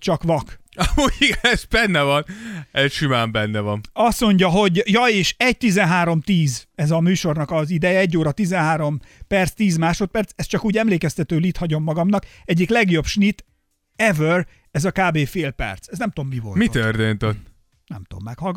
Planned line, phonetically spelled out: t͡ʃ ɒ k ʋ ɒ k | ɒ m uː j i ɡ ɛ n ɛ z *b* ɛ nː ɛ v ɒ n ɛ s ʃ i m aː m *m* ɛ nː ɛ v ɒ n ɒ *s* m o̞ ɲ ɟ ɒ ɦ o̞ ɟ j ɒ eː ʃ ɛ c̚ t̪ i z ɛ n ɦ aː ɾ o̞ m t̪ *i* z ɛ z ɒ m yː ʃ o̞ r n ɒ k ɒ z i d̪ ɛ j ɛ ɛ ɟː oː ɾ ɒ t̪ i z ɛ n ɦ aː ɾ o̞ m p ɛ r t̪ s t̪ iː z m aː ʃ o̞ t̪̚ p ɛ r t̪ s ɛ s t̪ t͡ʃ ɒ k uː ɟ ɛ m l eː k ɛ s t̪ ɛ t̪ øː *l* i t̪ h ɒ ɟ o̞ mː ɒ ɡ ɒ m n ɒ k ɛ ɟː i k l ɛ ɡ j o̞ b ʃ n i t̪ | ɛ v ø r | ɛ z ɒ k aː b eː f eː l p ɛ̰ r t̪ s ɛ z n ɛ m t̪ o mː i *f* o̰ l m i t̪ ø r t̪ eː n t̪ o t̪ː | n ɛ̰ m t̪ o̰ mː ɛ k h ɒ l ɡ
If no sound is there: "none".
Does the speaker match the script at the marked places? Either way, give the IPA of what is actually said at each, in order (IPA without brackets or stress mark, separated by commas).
b, b, s, iː, l, v